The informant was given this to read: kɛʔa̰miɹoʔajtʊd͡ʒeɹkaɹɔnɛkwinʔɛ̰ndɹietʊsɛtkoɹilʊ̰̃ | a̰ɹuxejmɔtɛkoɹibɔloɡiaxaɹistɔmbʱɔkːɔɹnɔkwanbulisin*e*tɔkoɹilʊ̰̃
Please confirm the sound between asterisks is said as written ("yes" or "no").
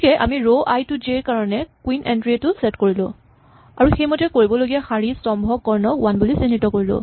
no